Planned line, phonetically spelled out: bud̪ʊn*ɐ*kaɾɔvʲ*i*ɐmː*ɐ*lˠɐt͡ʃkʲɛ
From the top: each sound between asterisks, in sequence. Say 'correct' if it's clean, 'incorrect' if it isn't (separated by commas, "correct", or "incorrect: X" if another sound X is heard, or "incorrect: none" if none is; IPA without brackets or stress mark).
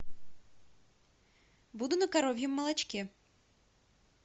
correct, incorrect: j, correct